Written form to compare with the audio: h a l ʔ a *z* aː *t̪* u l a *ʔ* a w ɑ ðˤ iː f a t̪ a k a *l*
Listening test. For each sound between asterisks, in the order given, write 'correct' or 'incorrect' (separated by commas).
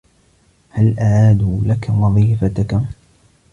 incorrect, incorrect, incorrect, incorrect